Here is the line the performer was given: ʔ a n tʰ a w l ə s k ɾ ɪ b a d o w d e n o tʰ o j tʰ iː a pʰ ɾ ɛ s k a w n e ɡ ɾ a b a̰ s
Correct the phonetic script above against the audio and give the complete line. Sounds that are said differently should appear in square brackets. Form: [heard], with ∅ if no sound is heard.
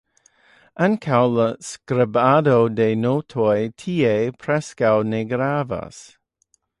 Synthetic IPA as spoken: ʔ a n [kʰ] a w l ə s k ɾ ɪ b a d o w d e n o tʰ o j tʰ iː [e] pʰ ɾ ɛ s k a w n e ɡ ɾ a [v] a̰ s